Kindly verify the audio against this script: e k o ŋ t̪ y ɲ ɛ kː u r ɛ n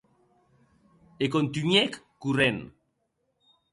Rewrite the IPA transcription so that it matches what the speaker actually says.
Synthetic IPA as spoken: e k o n t̪ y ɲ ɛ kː u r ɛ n